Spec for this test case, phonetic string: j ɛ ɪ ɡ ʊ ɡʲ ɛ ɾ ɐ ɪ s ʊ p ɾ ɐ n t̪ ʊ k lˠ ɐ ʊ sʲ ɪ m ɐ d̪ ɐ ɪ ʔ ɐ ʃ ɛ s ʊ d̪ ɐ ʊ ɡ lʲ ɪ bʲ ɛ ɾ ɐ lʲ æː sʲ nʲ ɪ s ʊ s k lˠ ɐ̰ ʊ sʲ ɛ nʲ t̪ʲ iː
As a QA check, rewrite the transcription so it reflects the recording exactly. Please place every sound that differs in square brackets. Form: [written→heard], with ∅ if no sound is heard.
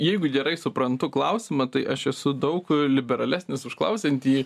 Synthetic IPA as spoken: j ɛ ɪ ɡ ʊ ɡʲ ɛ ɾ ɐ ɪ s ʊ p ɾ ɐ n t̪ ʊ k lˠ ɐ ʊ sʲ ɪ m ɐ [d̪→t̪] ɐ ɪ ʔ ɐ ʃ ɛ s ʊ d̪ ɐ ʊ [ɡ→k] lʲ ɪ bʲ ɛ ɾ ɐ lʲ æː sʲ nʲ ɪ s ʊ [s→ʃ] k lˠ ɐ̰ ʊ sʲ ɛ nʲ t̪ʲ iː